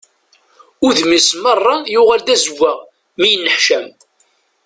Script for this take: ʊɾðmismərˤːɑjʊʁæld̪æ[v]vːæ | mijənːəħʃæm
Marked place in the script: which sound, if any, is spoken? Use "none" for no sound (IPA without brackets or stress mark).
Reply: z